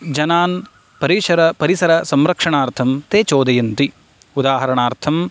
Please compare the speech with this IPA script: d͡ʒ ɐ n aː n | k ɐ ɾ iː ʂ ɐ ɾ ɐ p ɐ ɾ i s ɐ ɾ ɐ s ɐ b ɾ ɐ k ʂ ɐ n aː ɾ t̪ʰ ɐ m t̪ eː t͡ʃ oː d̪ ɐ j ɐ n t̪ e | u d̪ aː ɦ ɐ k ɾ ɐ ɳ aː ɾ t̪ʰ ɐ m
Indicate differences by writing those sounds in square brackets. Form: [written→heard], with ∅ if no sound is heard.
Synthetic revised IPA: d͡ʒ ɐ n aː n | [k→p] ɐ ɾ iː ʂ ɐ ɾ ɐ p ɐ ɾ i s ɐ ɾ ɐ s ɐ [b→m] ɾ ɐ k ʂ ɐ [n→ɳ] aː ɾ t̪ʰ ɐ m t̪ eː t͡ʃ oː d̪ ɐ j ɐ n t̪ [e→i] | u d̪ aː ɦ ɐ [k→∅] ɾ ɐ ɳ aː ɾ t̪ʰ ɐ m